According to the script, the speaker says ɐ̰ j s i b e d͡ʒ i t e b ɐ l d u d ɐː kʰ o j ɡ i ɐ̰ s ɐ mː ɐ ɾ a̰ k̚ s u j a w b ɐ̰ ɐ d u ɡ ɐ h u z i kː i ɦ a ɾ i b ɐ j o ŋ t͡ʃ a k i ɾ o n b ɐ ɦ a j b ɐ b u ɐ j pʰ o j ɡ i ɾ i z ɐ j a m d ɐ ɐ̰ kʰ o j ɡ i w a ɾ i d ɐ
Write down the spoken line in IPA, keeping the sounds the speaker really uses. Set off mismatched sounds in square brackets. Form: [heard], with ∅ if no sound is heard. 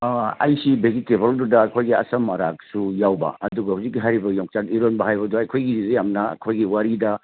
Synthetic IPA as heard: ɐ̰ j s i b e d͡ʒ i t e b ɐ l d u d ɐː kʰ o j ɡ i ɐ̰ s ɐ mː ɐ ɾ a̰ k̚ s u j a w b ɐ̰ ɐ d u ɡ ɐ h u z i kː i ɦ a ɾ i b ɐ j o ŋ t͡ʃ a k i ɾ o n b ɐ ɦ a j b ɐ [d] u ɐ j [kʰ] o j ɡ i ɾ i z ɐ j a m [n] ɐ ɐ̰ kʰ o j ɡ i w a ɾ i d ɐ